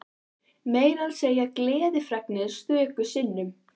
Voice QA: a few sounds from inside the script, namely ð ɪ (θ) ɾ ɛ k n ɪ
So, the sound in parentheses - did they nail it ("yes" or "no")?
no